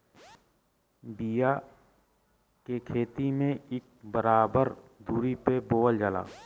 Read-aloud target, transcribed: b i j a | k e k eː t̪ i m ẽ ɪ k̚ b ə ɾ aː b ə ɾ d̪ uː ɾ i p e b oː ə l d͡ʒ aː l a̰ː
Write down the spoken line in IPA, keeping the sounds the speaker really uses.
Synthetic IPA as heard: b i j a | k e kʰ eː t̪ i m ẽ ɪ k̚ b ə ɾ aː b ə ɾ d̪ uː ɾ i p e b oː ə l d͡ʒ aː l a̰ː